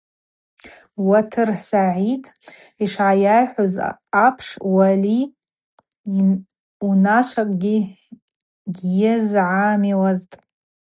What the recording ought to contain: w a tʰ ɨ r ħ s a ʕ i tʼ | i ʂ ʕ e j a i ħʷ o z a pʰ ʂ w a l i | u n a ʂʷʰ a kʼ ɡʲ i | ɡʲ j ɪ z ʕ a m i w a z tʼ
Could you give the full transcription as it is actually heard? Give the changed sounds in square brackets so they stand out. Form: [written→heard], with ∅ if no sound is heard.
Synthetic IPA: w a tʰ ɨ r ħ s a ʕ i tʼ | i ʂ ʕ [e→a] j a [i→j] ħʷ o z a pʰ ʂ w a l i | u n a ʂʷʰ a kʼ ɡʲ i | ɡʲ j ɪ z ʕ a m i w a z tʼ